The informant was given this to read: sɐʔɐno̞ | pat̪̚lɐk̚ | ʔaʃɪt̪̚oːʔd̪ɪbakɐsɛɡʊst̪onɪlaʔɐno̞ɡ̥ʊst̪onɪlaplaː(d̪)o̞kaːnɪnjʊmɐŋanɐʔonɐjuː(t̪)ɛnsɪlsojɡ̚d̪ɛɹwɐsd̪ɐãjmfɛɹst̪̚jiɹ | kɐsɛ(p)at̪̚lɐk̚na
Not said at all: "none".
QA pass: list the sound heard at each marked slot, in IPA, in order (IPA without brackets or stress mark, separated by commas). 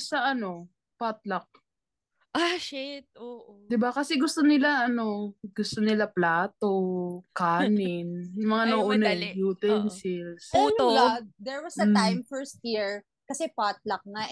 t̪, t̪, p